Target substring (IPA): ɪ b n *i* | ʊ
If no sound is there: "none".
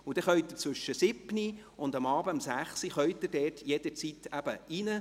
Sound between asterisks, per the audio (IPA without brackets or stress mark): i